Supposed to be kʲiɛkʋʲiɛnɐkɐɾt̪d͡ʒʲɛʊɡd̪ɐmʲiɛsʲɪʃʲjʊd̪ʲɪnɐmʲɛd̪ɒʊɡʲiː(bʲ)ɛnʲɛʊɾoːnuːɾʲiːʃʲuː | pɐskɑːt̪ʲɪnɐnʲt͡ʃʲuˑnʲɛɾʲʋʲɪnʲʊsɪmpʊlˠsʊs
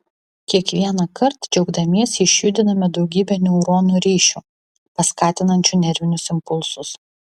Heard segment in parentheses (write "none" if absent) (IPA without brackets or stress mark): bʲ